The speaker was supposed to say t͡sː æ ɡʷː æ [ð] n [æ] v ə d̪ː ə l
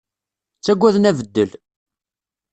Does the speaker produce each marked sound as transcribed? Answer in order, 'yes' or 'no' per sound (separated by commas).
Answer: yes, yes